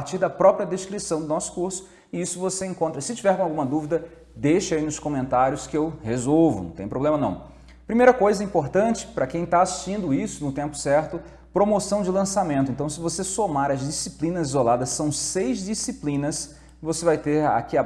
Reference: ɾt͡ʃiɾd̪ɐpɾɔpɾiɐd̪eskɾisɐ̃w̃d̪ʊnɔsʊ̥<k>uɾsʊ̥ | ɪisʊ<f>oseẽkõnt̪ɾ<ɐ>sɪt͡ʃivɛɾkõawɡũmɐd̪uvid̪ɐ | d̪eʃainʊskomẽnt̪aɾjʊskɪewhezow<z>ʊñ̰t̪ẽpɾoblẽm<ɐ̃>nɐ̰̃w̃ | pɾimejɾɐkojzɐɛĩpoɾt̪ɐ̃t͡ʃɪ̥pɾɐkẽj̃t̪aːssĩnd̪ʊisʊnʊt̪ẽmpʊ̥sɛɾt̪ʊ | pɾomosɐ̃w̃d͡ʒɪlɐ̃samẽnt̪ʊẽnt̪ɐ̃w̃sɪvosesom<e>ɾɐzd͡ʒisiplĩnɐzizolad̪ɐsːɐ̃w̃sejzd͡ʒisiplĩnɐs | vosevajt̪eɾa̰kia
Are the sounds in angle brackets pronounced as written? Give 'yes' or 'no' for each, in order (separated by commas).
yes, no, yes, no, no, no